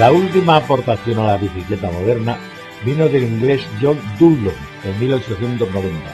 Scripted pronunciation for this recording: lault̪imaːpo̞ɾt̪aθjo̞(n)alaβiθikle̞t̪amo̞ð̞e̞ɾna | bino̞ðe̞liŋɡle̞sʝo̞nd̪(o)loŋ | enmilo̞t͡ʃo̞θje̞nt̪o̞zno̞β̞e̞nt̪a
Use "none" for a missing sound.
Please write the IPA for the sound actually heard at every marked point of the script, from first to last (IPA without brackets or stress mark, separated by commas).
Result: n, u